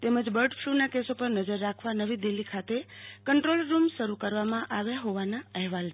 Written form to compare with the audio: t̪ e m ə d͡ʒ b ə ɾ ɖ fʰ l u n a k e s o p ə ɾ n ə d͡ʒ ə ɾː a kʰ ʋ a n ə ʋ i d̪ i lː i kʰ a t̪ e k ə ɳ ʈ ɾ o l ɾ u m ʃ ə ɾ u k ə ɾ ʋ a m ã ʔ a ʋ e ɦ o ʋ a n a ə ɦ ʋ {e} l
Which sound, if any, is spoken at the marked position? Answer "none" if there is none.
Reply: a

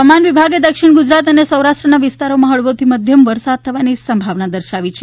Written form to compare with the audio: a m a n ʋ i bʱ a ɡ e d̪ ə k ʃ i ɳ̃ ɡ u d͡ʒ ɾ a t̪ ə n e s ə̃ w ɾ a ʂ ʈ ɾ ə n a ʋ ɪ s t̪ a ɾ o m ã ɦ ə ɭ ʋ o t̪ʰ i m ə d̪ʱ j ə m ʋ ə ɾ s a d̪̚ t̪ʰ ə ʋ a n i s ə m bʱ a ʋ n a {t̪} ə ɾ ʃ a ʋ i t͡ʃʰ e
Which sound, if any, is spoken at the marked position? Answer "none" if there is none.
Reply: d̪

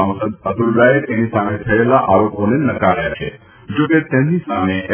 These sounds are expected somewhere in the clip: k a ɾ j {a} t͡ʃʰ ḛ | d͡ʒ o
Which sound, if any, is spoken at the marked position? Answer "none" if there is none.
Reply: a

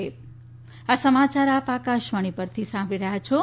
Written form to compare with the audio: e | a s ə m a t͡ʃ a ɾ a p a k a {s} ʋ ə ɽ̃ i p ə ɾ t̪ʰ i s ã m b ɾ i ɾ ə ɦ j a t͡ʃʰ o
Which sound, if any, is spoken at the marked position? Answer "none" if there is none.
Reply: ʃ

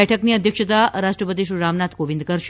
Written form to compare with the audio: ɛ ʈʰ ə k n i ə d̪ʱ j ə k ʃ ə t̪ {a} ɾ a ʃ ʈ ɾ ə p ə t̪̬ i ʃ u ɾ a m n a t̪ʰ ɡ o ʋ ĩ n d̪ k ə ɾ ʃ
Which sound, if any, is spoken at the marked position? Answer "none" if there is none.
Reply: a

